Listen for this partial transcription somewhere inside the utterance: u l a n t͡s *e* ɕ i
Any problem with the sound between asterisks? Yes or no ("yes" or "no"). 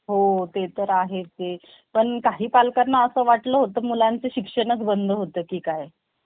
no